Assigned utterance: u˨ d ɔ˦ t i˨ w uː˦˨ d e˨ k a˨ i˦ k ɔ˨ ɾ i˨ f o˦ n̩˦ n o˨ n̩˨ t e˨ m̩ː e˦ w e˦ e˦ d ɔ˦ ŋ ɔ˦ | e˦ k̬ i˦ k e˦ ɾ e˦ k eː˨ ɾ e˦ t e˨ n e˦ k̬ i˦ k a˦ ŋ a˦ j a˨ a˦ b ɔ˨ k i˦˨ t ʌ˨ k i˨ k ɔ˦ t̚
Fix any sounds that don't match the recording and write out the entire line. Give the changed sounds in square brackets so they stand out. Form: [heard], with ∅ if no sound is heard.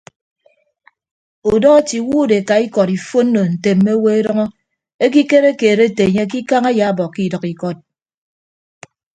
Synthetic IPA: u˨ d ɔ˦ t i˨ w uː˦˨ d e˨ k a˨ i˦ k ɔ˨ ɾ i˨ f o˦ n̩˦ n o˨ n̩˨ t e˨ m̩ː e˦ w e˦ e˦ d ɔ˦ ŋ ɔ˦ | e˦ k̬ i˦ k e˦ ɾ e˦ k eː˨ ɾ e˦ t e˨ [ɲ] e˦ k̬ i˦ k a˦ ŋ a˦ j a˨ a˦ b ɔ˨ k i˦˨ [d] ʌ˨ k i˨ k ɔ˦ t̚